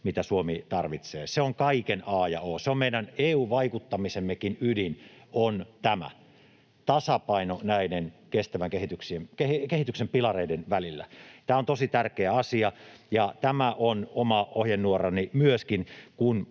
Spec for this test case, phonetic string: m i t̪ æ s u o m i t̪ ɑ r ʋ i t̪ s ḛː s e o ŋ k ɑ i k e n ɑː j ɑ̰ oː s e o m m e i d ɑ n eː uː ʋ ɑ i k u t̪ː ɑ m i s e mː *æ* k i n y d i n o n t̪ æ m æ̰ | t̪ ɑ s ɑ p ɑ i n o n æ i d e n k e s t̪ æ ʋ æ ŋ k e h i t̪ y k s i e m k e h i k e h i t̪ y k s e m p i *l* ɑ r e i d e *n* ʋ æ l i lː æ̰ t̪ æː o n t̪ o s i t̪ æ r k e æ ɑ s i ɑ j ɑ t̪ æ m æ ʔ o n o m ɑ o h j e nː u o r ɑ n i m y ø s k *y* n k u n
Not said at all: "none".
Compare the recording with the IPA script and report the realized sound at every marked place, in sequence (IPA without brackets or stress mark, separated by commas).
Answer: e, l, n, i